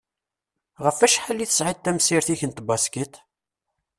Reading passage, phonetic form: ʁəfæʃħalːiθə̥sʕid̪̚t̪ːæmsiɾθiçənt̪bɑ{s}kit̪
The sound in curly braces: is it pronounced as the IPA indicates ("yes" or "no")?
yes